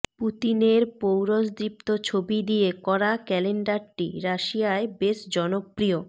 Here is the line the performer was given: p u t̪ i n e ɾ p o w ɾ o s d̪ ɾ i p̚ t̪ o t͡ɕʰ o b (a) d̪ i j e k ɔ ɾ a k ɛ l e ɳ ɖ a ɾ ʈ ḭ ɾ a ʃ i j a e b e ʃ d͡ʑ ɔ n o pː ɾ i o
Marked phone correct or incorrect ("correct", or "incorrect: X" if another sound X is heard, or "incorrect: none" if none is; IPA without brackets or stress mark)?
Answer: incorrect: i